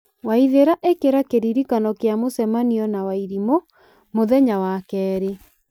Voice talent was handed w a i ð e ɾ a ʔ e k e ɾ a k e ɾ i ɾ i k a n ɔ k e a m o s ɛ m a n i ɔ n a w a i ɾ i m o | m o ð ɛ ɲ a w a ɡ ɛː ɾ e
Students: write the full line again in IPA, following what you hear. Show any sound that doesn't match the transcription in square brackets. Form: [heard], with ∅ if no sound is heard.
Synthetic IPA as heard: w a i ð e ɾ a ʔ e k e ɾ a k e ɾ i ɾ i k a n ɔ k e a m o s ɛ m a n i ɔ n a w a i ɾ i m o | m o ð ɛ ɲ a w a [k] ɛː ɾ e